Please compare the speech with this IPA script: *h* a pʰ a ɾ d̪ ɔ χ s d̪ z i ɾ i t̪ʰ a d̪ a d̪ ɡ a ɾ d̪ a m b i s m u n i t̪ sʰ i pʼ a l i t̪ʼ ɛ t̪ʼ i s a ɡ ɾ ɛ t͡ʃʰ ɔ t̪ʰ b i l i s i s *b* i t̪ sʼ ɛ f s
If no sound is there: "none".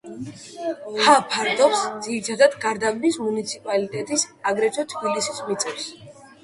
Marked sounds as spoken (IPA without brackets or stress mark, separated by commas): h, m